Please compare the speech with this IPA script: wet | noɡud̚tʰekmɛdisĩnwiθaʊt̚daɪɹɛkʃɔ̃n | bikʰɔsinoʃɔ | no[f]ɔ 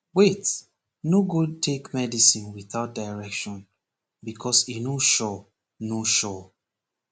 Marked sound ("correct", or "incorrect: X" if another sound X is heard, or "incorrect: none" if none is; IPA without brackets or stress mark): incorrect: ʃ